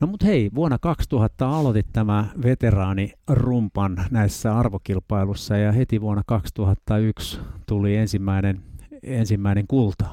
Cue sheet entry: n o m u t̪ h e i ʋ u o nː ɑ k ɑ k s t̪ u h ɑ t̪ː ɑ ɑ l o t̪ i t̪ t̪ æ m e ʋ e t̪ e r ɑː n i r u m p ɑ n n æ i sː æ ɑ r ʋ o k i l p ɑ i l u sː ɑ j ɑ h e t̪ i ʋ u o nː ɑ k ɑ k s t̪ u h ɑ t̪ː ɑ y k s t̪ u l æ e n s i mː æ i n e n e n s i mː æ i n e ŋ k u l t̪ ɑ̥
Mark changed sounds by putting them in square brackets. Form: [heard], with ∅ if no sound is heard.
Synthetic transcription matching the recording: n o m u t̪ h e i ʋ u o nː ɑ k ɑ k s t̪ u h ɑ t̪ː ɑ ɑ l o t̪ i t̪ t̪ æ m [æ] ʋ e t̪ e r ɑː n i r u m p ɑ n n æ i sː æ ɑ r ʋ o k i l p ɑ i l u sː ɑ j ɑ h e t̪ i ʋ u o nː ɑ k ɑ k s t̪ u h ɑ t̪ː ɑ y k s t̪ u l [i] e n s i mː æ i n e n e n s i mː æ i n e ŋ k u l t̪ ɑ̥